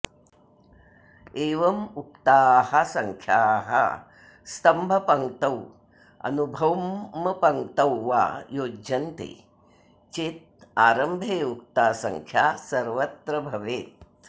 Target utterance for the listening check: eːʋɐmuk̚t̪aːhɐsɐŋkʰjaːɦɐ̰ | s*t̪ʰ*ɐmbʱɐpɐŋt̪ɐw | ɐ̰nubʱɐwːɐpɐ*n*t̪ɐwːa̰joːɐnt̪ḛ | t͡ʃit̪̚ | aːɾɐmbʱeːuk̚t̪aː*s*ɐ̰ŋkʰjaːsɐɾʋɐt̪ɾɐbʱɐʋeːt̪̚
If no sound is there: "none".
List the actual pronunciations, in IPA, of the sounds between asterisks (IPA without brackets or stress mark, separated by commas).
t̪, ŋ, s